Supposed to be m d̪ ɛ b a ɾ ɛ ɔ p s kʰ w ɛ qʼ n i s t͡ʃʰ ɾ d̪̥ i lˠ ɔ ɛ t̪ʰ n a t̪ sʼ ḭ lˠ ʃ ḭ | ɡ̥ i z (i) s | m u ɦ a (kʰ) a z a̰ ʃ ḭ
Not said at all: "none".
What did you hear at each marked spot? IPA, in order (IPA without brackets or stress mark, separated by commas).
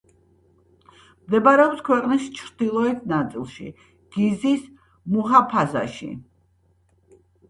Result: i, pʰ